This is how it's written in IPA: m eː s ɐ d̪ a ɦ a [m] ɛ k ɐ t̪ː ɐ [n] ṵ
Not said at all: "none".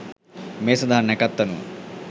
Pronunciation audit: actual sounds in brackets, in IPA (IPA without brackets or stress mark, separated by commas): n, n